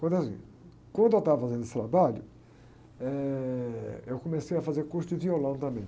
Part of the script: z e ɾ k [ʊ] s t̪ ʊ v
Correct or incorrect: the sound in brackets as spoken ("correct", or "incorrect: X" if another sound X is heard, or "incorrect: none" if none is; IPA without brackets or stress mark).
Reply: incorrect: u